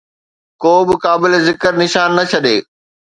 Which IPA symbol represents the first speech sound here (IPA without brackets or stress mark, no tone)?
k